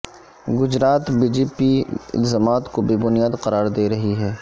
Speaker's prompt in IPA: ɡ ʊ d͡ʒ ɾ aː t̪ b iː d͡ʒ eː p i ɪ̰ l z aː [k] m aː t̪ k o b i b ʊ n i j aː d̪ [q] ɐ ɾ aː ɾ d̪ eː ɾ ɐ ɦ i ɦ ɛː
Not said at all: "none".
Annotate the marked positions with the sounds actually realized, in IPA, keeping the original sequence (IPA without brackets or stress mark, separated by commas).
none, q